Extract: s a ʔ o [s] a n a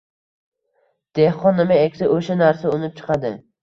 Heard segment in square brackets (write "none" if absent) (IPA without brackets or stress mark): ʃ